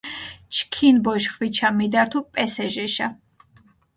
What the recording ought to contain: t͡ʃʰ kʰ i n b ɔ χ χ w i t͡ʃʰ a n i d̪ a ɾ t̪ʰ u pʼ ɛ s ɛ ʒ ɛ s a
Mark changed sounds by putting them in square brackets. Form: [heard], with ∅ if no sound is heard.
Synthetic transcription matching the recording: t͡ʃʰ kʰ i n b ɔ [ʃ] χ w i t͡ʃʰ a [m] i d̪ a ɾ t̪ʰ u pʼ ɛ s ɛ ʒ ɛ [ʃ] a